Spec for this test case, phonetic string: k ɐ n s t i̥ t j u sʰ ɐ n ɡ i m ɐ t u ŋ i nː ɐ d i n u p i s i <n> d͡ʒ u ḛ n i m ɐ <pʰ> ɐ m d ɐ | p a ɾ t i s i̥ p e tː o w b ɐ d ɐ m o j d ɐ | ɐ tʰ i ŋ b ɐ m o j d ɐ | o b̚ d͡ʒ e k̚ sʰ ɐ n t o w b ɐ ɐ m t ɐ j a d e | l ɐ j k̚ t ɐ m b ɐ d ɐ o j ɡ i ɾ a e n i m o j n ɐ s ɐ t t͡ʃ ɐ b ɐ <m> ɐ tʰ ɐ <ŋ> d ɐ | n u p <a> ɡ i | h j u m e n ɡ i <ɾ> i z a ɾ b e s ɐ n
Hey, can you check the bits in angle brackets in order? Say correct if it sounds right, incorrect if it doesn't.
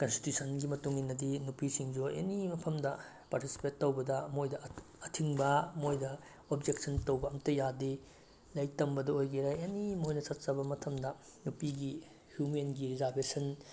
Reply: incorrect: ŋ, correct, correct, incorrect: m, incorrect: i, correct

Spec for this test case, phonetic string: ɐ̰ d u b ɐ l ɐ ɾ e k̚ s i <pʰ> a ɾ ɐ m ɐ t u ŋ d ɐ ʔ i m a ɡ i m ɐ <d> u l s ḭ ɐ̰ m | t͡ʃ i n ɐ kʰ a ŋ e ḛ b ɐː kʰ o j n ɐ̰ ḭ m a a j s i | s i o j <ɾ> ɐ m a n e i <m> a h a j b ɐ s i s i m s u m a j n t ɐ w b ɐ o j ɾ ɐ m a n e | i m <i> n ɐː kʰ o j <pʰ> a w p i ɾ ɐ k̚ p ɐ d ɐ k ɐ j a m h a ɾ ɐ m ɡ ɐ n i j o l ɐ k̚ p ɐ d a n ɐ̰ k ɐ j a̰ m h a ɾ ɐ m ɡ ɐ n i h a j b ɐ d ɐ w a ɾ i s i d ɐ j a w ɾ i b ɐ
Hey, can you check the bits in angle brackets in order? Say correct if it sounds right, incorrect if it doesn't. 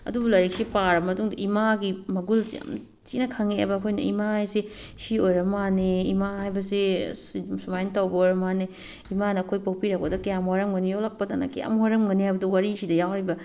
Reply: incorrect: p, incorrect: ɡ, correct, correct, incorrect: a, incorrect: p

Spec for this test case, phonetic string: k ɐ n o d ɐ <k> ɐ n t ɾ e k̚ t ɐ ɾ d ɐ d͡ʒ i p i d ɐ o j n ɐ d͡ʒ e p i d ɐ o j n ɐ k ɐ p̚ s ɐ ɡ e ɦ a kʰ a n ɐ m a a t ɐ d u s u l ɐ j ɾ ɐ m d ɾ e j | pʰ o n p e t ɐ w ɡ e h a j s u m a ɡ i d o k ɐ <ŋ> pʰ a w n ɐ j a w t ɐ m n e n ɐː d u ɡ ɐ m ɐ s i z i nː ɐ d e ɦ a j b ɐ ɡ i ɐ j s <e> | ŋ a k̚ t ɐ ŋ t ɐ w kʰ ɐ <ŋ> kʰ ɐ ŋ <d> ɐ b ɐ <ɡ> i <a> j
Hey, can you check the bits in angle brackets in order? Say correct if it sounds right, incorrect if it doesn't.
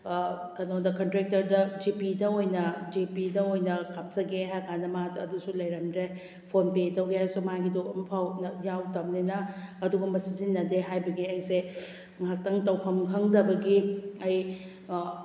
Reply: correct, incorrect: m, correct, incorrect: m, correct, correct, incorrect: ɐ

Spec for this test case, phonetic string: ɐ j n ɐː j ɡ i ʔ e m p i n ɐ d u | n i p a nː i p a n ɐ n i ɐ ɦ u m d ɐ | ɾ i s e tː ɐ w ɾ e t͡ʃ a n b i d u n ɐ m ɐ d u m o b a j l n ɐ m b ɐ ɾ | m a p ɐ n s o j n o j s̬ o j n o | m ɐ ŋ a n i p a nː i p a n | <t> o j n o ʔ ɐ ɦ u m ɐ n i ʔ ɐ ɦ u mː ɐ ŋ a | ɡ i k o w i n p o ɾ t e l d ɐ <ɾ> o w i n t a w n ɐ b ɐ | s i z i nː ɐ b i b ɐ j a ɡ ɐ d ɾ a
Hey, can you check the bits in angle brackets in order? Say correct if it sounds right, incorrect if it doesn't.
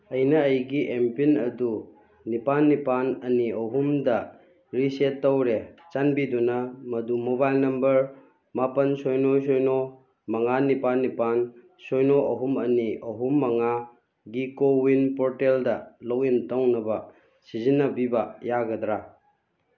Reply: incorrect: s, incorrect: l

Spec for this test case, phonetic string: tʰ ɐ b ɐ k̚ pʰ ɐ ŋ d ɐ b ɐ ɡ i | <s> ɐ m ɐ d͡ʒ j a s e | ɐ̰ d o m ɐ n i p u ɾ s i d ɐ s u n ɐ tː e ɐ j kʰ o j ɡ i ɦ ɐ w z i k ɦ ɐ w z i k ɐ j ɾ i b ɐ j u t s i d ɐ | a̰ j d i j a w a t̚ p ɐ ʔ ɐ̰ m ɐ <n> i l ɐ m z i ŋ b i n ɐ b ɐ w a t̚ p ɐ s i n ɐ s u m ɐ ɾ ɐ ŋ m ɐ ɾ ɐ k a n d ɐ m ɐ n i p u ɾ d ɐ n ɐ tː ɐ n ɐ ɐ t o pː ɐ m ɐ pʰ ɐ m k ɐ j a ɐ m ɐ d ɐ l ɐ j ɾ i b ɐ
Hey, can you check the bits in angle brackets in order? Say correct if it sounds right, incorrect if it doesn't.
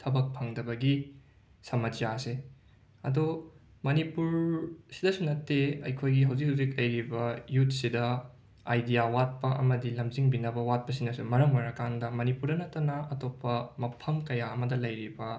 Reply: correct, incorrect: d

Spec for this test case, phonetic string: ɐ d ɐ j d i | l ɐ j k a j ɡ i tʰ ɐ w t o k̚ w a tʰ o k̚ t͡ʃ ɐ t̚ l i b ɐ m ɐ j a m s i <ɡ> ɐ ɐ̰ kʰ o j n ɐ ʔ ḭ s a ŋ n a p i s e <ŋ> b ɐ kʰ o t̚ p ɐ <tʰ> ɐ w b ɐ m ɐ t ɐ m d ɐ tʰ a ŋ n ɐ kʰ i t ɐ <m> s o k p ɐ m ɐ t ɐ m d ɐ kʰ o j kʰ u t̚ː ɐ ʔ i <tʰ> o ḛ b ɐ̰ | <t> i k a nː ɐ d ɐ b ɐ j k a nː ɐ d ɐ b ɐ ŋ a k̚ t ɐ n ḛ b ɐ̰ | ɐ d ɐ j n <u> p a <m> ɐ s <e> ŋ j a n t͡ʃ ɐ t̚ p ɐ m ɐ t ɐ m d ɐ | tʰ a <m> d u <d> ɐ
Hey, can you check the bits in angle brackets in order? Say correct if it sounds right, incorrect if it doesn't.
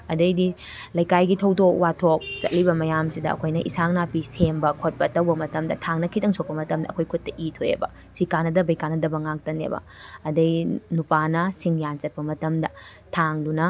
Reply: incorrect: d, incorrect: m, incorrect: t, incorrect: ŋ, correct, incorrect: s, correct, incorrect: n, incorrect: i, incorrect: ŋ, incorrect: n

